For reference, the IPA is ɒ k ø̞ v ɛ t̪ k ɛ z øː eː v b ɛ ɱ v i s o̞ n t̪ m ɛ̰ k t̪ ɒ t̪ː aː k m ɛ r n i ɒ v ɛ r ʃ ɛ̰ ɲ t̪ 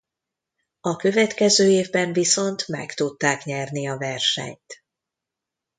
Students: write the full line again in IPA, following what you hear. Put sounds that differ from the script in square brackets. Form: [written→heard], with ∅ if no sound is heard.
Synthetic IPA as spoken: ɒ k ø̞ v ɛ t̪ k ɛ z øː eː v b ɛ ɱ v i s o̞ n t̪ m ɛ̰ k t̪ [ɒ→u] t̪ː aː k [m→ɲ] ɛ r n i ɒ v ɛ r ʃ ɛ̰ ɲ t̪